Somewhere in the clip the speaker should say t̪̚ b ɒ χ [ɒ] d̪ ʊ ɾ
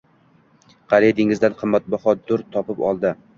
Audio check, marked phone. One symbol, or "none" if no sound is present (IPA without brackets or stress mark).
ɒ